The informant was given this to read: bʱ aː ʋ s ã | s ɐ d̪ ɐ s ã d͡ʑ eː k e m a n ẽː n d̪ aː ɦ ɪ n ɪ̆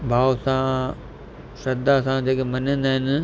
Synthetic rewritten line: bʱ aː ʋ s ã | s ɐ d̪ a s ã d͡ʑ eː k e m ɐ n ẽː n d̪ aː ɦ ɪ n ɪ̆